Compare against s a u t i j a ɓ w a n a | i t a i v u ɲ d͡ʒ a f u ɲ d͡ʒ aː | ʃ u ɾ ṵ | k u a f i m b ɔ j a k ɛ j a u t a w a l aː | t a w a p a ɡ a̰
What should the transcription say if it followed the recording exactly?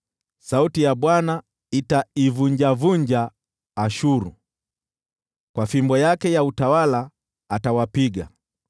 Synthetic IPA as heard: s a u t i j a ɓ w a n a | i t a i v u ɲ d͡ʒ a v u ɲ d͡ʒ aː | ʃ u ɾ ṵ | k w a f i m b ɔ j a k ɛ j a u t a w a l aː | t a w a p i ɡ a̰